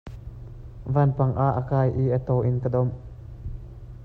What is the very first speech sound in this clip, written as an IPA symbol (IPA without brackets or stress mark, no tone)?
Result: v